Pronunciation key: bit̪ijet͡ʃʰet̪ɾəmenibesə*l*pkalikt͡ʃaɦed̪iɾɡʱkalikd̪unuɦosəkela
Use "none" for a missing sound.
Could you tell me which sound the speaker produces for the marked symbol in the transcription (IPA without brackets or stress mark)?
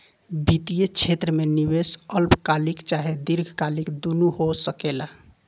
l